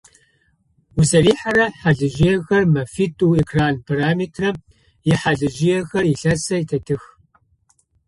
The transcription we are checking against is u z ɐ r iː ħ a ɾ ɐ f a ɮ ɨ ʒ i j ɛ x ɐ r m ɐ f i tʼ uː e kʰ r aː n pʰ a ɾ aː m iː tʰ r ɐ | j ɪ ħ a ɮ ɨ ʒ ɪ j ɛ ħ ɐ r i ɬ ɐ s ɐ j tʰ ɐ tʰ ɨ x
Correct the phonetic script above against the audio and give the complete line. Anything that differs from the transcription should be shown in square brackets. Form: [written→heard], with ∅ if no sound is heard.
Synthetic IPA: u z ɐ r iː ħ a ɾ ɐ [f→ħ] a ɮ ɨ ʒ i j ɛ x ɐ r m ɐ f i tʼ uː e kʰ r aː n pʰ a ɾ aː m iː tʰ r ɐ | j ɪ ħ a ɮ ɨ ʒ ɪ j ɛ [ħ→x] ɐ r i ɬ ɐ s ɐ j tʰ ɐ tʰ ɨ x